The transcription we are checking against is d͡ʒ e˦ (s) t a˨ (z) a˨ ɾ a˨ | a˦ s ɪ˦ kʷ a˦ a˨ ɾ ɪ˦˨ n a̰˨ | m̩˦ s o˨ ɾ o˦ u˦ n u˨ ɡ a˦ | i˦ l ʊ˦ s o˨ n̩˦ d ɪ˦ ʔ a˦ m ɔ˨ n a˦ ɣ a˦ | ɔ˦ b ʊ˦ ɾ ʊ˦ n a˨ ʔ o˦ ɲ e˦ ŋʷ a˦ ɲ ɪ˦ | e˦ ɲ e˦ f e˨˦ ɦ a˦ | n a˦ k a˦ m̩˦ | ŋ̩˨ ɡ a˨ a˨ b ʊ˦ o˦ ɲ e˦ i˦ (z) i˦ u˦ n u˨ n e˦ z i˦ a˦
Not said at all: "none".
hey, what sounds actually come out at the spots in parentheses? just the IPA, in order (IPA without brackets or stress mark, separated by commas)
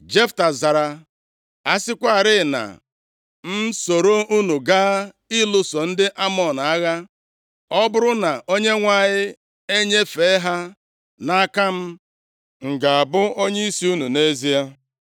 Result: f, z, s